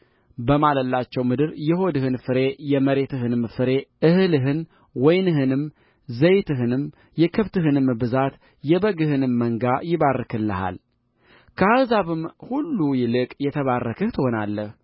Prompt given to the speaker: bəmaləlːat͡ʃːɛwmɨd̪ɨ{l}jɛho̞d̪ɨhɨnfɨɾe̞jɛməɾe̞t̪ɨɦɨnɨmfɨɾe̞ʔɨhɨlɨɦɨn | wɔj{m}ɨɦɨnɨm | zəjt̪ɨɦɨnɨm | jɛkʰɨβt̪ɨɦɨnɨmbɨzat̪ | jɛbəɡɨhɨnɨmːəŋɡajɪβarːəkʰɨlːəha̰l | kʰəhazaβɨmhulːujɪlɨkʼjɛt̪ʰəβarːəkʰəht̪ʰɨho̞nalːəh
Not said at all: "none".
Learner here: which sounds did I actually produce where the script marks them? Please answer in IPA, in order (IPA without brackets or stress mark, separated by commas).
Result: ɾ, n